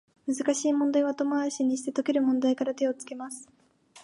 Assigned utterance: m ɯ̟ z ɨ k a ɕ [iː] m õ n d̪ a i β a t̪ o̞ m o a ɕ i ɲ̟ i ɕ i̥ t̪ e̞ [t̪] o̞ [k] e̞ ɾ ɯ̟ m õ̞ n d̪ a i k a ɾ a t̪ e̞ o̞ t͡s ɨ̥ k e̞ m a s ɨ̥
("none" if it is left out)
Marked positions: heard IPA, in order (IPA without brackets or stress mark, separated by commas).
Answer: iː, t̪, k